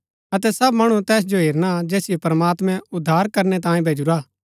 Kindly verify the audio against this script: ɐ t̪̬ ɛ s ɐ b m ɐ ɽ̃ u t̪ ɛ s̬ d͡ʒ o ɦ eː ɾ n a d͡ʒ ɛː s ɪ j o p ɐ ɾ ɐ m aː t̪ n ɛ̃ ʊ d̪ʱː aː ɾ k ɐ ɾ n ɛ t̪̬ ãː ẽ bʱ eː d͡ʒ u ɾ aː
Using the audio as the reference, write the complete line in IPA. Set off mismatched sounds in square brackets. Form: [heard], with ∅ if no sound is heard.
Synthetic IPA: ɐ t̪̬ ɛ s ɐ b m ɐ ɽ̃ u t̪ [ɛː] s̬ d͡ʒ o ɦ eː ɾ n a d͡ʒ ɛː s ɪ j o p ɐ ɾ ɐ m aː t̪ [m] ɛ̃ ʊ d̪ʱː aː ɾ k ɐ ɾ n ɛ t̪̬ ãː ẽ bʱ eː d͡ʒ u ɾ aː